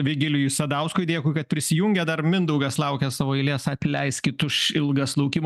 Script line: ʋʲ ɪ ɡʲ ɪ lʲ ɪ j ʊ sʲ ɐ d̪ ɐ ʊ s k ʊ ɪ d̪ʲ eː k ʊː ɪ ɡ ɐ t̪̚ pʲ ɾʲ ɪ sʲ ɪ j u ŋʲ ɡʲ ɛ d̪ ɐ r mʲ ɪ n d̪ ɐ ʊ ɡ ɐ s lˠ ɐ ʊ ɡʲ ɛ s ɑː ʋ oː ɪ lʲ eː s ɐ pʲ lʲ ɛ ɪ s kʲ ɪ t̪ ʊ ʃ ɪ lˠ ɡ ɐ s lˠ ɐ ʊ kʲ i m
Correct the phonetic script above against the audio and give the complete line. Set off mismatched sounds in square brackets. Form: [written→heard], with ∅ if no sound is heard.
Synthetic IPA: ʋʲ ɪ ɡʲ ɪ lʲ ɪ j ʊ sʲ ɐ d̪ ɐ ʊ s k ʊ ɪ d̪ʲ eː k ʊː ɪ [ɡ→k] ɐ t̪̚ pʲ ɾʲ ɪ sʲ ɪ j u ŋʲ ɡʲ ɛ d̪ ɐ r mʲ ɪ n d̪ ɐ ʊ ɡ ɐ s lˠ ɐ ʊ [ɡʲ→kʲ] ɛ s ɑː ʋ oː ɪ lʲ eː s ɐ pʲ lʲ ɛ ɪ s kʲ ɪ t̪ ʊ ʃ ɪ lˠ ɡ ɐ s lˠ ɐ ʊ kʲ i m